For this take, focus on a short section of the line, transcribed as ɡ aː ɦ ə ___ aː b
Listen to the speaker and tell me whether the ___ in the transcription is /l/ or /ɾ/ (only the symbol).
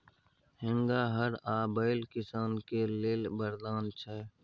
ɾ